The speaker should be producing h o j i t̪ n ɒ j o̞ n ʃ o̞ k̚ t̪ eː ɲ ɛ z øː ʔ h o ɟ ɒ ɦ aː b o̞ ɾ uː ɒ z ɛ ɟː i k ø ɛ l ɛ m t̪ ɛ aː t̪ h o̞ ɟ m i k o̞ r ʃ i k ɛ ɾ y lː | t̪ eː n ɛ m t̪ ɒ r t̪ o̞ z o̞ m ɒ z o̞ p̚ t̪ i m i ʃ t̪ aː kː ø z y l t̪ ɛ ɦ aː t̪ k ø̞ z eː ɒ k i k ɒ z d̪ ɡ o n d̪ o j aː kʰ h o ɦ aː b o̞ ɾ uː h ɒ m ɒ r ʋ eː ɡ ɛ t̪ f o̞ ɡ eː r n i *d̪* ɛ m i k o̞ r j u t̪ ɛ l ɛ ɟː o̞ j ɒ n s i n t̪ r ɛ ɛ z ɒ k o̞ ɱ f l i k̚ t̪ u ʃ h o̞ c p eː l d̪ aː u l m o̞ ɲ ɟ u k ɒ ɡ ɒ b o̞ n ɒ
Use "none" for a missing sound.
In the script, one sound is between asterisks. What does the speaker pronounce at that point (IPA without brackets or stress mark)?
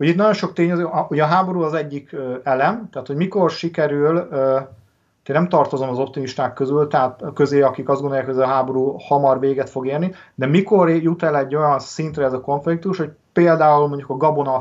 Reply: d̪